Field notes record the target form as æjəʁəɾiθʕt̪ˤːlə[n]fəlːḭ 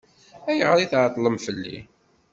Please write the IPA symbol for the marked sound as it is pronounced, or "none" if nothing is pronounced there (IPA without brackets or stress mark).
m